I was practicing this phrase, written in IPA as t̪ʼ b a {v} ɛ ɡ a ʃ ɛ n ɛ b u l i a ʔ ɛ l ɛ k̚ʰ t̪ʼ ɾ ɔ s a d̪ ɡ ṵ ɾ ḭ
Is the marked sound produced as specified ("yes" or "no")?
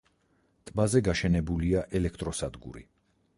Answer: no